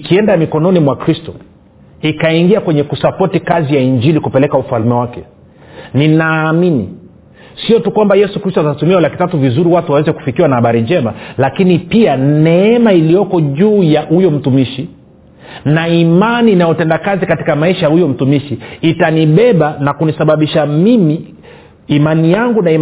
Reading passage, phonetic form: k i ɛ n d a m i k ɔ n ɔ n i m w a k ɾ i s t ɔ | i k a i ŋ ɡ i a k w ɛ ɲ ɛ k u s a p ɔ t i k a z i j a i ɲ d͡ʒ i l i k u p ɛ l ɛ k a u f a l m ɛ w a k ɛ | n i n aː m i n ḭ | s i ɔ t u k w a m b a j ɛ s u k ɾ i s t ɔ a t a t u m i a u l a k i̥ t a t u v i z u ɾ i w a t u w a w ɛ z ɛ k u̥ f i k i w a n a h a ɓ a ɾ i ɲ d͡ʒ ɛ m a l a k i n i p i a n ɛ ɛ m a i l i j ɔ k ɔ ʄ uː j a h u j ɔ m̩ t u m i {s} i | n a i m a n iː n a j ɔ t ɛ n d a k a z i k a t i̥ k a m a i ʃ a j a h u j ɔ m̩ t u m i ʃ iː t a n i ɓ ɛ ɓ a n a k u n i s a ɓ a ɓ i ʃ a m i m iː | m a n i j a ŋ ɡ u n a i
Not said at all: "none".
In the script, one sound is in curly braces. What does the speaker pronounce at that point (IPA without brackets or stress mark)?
ʃ